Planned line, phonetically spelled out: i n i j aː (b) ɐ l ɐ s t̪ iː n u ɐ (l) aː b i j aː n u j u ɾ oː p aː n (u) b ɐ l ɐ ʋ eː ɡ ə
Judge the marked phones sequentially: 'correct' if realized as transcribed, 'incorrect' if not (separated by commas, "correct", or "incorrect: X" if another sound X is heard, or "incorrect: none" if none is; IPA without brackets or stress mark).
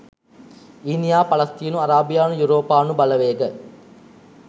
incorrect: p, incorrect: ɾ, correct